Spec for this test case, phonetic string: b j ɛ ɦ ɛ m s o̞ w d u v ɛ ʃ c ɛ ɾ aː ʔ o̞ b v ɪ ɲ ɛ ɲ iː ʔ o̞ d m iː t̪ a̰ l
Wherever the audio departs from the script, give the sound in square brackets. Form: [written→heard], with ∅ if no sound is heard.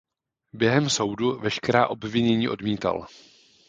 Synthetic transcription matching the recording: b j ɛ ɦ ɛ m s o̞ w d u v ɛ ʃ [c→k] ɛ ɾ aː ʔ o̞ b v ɪ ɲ ɛ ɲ iː ʔ o̞ d m iː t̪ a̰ l